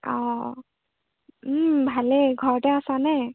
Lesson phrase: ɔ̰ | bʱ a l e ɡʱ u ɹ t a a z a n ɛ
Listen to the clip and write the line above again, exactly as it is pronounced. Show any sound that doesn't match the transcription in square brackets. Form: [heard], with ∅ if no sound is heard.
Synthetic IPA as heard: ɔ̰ | bʱ a l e ɡʱ [ɔ] ɹ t [ɛ] a [s] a n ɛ

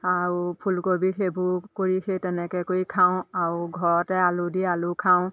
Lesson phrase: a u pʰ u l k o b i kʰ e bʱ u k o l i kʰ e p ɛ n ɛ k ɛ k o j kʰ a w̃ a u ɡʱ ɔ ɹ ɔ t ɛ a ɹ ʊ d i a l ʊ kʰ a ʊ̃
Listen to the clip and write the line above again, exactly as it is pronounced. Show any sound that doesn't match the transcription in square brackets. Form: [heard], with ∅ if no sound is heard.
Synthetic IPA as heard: a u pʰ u l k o b i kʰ e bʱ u k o [ɹ] i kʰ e [t] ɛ n ɛ k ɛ k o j kʰ a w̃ a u ɡʱ ɔ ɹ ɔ t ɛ a [l] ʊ d i a l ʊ kʰ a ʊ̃

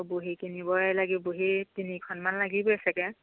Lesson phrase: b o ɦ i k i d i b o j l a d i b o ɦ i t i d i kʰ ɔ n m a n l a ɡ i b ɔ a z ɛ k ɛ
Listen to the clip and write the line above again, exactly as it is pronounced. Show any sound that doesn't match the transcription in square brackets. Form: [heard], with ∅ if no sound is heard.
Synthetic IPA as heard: b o ɦ i k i [n] i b [ɔ] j l a [ɡ] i b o ɦ i t i [n] i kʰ ɔ n m a n l a ɡ i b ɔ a [s] ɛ k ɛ

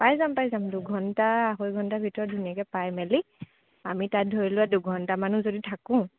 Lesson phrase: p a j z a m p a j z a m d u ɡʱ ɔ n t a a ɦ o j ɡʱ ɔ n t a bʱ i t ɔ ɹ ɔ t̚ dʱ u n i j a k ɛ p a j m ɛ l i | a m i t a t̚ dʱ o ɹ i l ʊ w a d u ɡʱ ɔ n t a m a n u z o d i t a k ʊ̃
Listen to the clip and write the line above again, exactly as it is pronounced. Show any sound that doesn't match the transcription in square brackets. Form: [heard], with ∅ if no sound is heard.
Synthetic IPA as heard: p a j z a m p a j z a m d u ɡʱ ɔ n t a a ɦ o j ɡʱ ɔ n t a bʱ i t ɔ ɹ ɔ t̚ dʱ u n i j a k ɛ p a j m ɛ l i | a m i t a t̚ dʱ o ɹ i l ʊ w a d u ɡʱ ɔ n t a m a n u z o d i [tʰ] a k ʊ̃

